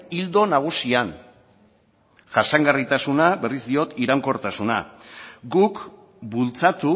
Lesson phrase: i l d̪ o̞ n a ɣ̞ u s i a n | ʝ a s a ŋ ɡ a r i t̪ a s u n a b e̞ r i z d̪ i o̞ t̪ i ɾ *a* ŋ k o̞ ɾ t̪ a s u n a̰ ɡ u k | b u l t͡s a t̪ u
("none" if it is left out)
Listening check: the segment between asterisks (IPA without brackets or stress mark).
a